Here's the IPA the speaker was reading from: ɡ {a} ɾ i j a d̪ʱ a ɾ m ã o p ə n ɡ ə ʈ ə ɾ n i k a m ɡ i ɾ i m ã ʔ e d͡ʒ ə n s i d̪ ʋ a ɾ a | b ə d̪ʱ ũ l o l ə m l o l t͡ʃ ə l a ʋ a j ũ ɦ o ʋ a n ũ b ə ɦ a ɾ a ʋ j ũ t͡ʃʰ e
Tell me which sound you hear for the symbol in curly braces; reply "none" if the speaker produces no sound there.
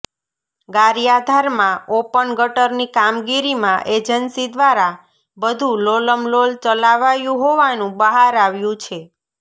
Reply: a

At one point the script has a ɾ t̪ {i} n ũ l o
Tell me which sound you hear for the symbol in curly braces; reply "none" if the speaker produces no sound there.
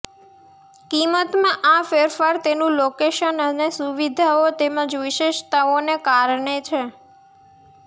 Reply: e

